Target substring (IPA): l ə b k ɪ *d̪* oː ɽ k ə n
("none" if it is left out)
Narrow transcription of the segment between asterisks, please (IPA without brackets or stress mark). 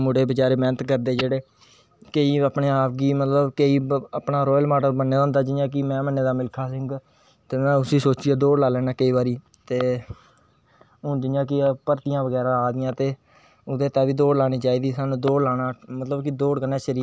d̪